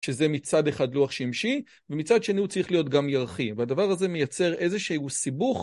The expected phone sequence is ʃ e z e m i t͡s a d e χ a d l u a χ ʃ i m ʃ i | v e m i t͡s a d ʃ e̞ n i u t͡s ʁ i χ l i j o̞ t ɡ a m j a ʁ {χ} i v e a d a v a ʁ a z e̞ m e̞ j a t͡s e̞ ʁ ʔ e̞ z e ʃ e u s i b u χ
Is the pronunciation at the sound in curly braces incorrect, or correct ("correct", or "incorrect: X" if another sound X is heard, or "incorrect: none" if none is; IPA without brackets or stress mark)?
correct